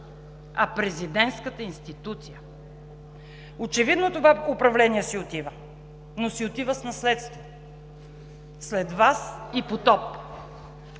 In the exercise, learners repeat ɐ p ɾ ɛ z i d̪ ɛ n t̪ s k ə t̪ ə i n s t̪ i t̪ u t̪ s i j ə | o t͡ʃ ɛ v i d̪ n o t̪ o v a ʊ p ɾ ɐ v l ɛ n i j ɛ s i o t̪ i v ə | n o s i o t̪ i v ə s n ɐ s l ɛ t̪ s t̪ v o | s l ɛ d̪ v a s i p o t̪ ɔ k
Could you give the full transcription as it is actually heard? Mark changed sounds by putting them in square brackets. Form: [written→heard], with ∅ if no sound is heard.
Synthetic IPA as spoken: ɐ p ɾ ɛ z i d̪ ɛ n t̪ s k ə t̪ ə i n s t̪ i t̪ u t̪ s i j ə | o t͡ʃ ɛ v i d̪ n o t̪ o v a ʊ p ɾ ɐ v l ɛ n i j ɛ s i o t̪ i v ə | n o s i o t̪ i v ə s n ɐ s l ɛ t̪ s t̪ v o | s l ɛ d̪ v a s i p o t̪ ɔ [k→p]

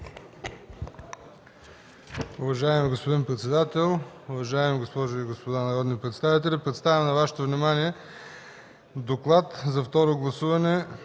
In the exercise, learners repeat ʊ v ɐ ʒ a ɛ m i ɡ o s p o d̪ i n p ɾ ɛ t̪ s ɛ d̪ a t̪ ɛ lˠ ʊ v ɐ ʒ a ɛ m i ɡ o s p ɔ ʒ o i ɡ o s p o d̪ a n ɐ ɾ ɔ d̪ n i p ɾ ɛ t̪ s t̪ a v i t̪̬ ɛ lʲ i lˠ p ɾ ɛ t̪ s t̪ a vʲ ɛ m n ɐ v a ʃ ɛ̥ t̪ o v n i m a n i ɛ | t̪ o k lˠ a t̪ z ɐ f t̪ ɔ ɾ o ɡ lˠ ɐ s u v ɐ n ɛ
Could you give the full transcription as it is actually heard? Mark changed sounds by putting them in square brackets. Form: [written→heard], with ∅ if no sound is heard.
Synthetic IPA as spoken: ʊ v ɐ ʒ a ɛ m i ɡ o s p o d̪ i n p ɾ ɛ t̪ s ɛ d̪ a t̪ ɛ lˠ ʊ v ɐ ʒ a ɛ m i ɡ o s p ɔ ʒ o i ɡ o s p o d̪ a n ɐ ɾ ɔ d̪ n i p ɾ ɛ t̪ s t̪ a v i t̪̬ ɛ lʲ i [lˠ→∅] p ɾ ɛ t̪ s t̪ a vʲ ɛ m n ɐ v a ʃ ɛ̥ t̪ o v n i m a n i ɛ | [t̪→d̪] o k lˠ a t̪ z ɐ f t̪ ɔ ɾ o ɡ lˠ ɐ s u v ɐ n ɛ

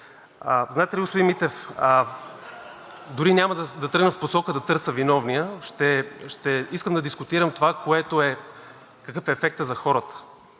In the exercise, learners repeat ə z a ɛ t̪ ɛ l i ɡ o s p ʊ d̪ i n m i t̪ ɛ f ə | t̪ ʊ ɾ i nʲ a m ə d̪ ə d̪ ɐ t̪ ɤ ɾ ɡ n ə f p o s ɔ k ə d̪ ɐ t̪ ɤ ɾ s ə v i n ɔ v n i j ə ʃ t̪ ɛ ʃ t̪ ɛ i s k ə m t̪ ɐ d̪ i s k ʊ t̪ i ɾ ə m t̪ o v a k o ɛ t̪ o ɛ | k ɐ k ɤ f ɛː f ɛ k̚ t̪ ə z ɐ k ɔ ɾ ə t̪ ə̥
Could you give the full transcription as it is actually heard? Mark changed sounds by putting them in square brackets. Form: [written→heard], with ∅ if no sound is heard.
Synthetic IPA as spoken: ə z a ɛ t̪ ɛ l i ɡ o s p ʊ d̪ i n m i t̪ ɛ f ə | [t̪→d̪] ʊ ɾ i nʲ a m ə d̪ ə d̪ ɐ t̪ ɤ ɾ ɡ n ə f p o s ɔ k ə d̪ ɐ t̪ ɤ ɾ s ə v i n ɔ v n i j ə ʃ t̪ ɛ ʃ t̪ ɛ i s k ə m [t̪→d̪] ɐ d̪ i s k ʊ t̪ i ɾ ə m t̪ o v a k o ɛ t̪ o ɛ | k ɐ k ɤ f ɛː f ɛ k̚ t̪ ə z ɐ [k→x] ɔ ɾ ə t̪ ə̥

